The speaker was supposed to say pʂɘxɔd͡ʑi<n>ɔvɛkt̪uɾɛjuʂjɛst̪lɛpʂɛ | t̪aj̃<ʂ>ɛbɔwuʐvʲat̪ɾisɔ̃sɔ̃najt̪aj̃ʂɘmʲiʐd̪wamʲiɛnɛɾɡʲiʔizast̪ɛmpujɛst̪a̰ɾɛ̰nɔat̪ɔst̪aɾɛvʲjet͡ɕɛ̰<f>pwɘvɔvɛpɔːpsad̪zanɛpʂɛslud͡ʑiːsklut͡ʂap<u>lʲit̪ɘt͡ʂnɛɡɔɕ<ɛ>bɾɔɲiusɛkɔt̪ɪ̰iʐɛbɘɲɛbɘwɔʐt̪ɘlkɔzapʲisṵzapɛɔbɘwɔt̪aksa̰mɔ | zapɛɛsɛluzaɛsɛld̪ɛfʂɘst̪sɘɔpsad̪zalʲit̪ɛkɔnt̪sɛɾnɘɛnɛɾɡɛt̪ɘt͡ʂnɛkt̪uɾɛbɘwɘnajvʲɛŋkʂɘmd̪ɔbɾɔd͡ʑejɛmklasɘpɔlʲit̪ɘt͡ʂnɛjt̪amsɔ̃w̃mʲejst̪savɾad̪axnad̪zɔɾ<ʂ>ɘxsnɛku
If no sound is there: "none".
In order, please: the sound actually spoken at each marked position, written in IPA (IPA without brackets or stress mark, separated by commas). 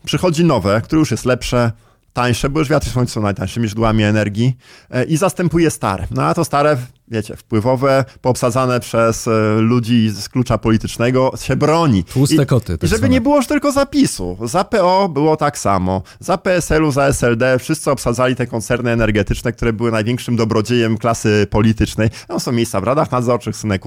n, ʂ, f, ɔ, ɛ, t͡ʂ